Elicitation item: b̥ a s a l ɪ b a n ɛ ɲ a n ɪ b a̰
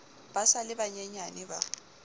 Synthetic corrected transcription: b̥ a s a l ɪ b a ɲ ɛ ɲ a n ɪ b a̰